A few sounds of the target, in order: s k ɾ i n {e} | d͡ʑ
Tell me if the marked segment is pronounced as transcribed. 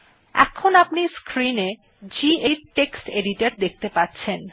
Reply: yes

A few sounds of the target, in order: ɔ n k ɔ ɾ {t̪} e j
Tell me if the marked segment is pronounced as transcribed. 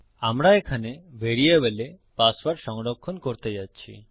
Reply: yes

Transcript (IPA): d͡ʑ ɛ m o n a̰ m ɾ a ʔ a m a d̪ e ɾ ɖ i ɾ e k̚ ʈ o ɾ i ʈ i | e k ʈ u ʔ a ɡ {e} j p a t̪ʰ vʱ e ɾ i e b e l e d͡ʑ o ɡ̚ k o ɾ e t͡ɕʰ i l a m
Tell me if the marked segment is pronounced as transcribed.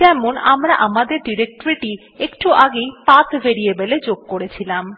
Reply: yes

